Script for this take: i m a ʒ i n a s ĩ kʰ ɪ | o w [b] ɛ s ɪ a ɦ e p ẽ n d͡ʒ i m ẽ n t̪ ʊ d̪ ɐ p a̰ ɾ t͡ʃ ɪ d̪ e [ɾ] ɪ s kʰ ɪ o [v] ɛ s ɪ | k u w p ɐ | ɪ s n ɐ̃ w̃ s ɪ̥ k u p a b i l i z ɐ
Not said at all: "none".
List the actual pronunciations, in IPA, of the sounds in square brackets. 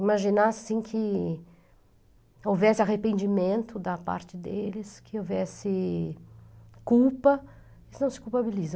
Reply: v, l, v

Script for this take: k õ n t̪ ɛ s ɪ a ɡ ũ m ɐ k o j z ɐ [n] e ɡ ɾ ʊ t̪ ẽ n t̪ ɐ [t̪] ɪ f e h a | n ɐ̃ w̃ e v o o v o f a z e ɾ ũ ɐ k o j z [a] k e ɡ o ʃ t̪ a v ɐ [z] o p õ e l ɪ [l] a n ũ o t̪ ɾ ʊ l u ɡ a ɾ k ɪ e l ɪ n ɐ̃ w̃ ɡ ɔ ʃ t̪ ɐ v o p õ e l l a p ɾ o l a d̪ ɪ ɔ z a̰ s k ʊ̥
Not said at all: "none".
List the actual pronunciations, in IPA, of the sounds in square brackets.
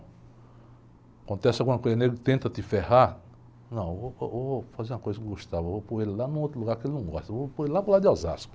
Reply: n, t̪, ɐ, v, l

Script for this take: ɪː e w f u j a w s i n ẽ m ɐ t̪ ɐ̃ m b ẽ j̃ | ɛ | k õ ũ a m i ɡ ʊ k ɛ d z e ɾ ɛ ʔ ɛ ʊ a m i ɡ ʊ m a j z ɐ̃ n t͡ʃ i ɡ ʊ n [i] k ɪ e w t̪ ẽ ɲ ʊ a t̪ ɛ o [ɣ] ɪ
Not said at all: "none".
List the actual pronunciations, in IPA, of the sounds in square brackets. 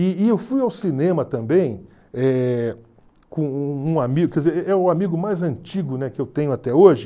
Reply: ɛ, ʒ

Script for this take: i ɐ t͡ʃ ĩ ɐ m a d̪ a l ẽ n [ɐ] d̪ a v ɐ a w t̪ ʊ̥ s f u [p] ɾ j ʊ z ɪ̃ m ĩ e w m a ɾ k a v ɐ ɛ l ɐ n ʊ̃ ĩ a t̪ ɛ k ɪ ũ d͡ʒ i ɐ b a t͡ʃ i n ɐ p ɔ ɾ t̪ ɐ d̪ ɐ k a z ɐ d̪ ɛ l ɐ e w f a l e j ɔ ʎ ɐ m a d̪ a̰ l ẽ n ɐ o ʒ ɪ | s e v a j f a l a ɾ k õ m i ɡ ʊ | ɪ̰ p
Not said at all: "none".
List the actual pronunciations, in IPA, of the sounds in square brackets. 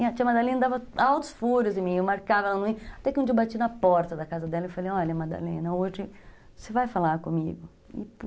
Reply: ɐ, none

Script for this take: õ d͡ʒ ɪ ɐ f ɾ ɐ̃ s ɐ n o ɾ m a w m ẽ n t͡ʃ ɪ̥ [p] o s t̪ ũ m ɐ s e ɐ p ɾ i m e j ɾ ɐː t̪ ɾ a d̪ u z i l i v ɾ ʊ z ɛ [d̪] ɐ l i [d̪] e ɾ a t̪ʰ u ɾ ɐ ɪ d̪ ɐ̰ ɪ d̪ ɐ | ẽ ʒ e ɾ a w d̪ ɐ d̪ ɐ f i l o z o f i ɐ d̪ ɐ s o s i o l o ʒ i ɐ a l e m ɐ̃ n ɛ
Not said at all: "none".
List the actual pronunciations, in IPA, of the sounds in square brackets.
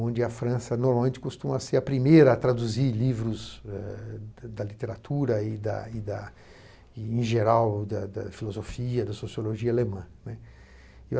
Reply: k, d̪, t̪

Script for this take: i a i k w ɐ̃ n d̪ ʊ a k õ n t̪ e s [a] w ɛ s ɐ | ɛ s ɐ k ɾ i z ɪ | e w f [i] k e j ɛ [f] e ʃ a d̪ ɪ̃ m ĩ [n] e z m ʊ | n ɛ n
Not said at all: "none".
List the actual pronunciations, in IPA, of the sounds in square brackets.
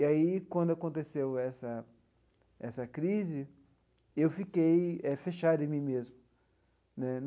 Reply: e, i, f, m

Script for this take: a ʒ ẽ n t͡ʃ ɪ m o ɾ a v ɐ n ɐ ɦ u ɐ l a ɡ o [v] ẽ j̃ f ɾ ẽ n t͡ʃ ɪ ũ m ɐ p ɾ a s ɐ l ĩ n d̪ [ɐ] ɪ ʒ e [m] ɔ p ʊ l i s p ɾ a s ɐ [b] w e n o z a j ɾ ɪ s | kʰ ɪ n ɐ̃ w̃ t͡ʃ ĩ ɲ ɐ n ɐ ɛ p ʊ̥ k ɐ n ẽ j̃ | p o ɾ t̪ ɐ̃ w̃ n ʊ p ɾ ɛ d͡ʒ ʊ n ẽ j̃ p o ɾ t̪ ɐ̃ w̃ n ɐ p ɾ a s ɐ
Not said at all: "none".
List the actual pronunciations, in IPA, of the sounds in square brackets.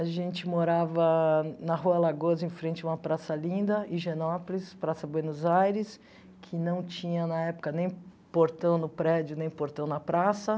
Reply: z, ɐ, n, b

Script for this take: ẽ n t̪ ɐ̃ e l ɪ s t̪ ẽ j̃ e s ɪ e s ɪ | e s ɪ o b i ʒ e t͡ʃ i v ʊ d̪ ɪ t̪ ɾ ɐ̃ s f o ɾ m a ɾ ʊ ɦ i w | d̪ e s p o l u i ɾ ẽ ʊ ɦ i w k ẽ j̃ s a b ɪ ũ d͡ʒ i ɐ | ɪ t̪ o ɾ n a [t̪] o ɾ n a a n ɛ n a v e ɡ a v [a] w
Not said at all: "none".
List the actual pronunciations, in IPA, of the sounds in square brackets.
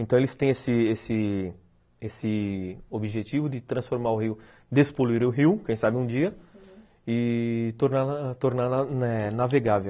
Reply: t̪, e

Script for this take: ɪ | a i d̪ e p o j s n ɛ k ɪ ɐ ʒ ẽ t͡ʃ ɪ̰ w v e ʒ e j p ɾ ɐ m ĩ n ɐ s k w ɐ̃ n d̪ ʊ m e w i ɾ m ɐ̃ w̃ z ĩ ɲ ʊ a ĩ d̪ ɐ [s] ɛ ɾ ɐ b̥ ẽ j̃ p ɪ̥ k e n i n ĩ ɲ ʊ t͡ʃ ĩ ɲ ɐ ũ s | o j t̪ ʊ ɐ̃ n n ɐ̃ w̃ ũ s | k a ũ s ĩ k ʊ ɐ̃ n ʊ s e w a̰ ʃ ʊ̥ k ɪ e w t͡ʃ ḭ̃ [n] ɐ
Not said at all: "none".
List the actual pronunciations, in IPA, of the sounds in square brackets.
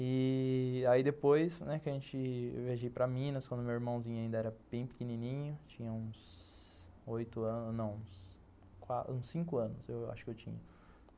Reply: none, ɲ

